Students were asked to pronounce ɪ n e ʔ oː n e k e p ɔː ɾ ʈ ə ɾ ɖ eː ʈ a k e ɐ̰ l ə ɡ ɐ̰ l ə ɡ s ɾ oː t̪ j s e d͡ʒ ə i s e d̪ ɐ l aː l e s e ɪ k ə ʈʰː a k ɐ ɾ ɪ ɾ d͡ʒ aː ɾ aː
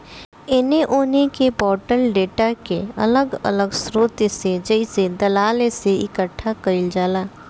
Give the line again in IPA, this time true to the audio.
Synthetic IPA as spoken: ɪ n e ʔ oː n e k e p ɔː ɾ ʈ ə l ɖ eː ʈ a k e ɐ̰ l ə ɡ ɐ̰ l ə ɡ s ɾ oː t̪ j s e d͡ʒ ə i s e d̪ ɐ l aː l e s e ɪ k ə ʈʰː a k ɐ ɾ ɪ l d͡ʒ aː l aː